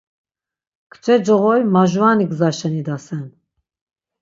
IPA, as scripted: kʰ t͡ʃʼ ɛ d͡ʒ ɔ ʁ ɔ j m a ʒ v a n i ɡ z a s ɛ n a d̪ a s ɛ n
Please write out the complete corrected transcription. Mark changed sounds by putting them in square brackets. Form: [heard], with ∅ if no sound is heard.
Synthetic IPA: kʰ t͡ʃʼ ɛ d͡ʒ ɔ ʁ ɔ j m a ʒ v a n i ɡ z a [ʃ] ɛ n [i] d̪ a s ɛ n